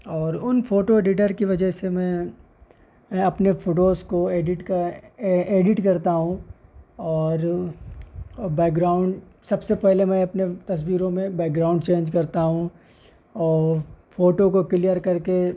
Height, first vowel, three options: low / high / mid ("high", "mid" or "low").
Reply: mid